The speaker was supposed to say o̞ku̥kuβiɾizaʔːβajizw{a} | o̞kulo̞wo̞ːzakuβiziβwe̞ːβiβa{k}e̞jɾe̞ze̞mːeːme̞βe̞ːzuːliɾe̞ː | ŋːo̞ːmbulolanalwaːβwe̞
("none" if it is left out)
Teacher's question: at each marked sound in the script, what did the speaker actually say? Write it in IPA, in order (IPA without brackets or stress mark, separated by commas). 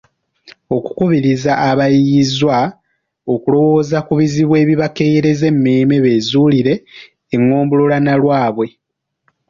a, k